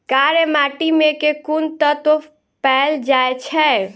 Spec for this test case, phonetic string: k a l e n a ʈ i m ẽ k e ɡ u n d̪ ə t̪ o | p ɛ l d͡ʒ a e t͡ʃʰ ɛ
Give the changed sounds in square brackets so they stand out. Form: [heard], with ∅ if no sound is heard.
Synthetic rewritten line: k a [ɾ] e [m] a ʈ i m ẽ k e [k] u n [t̪] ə t̪ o | p ɛ l d͡ʒ a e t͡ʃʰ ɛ